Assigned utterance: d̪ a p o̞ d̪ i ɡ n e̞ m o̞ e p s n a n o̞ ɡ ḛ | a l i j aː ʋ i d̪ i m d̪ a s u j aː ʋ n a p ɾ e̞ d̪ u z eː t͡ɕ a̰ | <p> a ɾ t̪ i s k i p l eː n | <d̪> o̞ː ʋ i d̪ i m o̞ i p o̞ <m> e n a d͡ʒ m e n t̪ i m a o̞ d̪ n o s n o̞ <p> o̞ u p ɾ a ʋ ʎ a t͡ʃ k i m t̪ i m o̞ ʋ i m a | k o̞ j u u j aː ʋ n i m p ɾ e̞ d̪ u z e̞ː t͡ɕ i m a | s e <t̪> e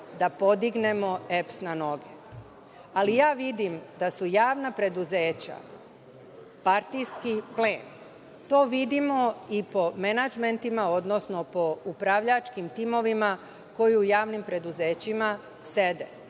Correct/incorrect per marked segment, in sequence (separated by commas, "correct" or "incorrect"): correct, incorrect, correct, correct, incorrect